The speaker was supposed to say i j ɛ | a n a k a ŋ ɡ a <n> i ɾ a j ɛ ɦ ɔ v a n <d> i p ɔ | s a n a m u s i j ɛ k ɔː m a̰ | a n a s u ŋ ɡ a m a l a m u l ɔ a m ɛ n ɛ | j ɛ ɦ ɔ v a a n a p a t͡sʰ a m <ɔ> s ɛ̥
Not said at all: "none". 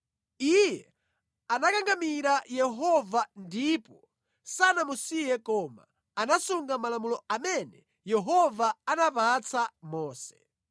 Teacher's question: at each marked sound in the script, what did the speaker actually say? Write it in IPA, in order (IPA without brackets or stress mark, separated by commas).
m, d, ɔː